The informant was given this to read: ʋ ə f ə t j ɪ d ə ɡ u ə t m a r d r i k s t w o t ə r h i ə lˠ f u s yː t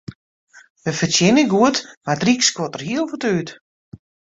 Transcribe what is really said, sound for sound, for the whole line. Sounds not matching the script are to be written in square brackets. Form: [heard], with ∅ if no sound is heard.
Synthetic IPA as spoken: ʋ ə f ə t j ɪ [n] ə ɡ u ə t m a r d r i k s [k] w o t ə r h i ə lˠ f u [t] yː t